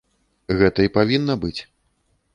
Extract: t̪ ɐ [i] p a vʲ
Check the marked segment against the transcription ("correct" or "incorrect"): correct